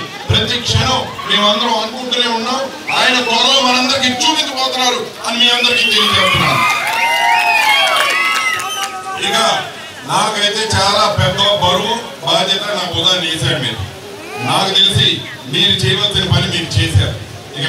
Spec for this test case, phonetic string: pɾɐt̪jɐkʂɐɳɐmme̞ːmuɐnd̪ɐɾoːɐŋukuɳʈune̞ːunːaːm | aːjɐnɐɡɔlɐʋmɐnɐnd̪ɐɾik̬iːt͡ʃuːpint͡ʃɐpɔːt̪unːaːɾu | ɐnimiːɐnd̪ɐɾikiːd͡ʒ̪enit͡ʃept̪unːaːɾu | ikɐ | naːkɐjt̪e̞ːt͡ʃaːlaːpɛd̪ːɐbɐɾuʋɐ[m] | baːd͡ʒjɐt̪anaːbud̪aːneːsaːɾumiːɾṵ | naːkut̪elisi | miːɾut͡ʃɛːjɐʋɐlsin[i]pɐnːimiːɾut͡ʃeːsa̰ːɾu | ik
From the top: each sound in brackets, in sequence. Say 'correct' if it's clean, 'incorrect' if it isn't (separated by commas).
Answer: correct, correct